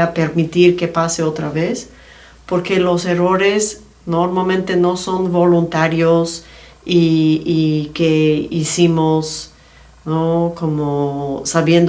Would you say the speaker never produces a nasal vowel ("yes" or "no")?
no